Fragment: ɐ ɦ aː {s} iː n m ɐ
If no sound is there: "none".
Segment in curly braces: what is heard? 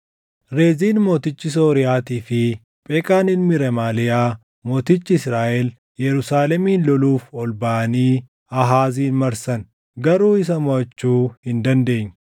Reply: z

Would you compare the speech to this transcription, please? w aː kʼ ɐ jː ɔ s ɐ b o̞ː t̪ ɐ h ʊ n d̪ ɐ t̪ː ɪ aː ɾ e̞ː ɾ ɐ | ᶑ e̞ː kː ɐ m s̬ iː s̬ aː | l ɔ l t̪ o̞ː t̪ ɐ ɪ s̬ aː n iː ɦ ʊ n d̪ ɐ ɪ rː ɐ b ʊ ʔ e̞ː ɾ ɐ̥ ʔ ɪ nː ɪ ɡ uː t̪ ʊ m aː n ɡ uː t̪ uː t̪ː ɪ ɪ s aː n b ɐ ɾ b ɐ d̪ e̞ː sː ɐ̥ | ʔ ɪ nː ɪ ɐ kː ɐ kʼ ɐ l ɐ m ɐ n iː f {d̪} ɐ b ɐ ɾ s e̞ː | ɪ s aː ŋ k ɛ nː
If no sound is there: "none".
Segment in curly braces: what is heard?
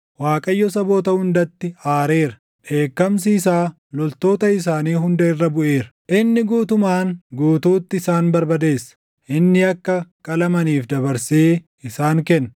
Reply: d̪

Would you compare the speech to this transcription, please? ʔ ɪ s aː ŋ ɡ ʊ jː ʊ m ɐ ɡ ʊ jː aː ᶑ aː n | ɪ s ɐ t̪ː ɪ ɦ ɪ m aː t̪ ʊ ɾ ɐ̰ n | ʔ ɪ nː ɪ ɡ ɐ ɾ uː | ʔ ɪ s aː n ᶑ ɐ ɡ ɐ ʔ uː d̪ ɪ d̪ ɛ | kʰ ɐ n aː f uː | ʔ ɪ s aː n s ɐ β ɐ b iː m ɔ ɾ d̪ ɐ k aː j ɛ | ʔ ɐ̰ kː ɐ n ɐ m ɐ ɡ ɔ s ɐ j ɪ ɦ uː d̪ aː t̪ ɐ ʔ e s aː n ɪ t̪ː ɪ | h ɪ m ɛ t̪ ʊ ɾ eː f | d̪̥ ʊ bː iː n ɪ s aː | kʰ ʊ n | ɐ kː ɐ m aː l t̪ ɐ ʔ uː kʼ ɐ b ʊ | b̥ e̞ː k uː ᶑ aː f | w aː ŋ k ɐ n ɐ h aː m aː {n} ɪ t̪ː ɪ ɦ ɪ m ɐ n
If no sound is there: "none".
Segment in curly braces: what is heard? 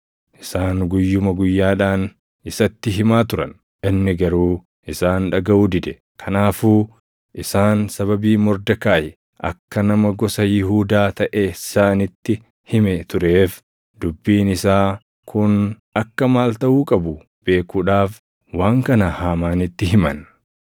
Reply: n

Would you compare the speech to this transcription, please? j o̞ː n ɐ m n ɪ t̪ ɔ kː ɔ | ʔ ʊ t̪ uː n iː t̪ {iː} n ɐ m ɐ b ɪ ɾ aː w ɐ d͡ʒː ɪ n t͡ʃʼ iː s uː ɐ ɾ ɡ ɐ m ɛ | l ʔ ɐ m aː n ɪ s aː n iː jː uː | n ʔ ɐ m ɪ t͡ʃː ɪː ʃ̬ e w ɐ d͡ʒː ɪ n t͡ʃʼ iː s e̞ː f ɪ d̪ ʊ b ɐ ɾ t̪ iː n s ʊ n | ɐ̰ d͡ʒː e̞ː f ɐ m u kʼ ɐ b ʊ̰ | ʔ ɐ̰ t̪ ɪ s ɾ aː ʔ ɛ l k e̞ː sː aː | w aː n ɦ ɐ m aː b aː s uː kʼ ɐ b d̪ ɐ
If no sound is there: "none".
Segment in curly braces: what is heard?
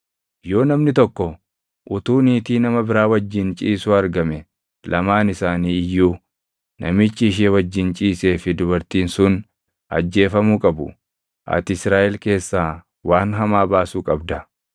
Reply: iː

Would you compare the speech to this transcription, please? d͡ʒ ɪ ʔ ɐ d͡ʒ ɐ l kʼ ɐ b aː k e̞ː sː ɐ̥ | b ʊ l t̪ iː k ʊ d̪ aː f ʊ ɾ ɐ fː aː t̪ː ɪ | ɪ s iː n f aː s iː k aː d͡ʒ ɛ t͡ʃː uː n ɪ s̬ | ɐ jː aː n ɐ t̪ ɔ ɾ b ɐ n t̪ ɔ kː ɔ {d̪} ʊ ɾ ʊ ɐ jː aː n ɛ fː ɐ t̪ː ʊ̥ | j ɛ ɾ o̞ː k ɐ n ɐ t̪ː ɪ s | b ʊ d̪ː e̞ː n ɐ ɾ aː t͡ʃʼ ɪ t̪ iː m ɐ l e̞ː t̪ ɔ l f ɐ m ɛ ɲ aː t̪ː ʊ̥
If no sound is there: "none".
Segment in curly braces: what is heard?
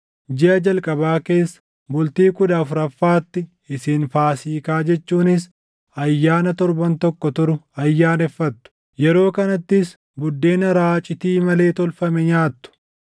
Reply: t̪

